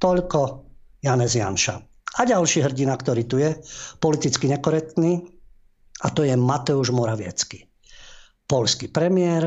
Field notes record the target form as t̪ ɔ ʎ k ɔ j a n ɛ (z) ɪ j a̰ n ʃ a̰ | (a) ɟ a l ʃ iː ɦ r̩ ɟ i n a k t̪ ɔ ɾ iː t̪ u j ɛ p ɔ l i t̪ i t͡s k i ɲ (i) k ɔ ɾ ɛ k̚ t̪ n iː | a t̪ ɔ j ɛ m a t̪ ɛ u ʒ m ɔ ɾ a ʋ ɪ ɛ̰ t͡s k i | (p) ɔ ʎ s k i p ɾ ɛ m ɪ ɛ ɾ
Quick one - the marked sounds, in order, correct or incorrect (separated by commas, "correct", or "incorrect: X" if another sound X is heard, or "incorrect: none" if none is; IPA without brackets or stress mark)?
correct, correct, incorrect: ɛ, correct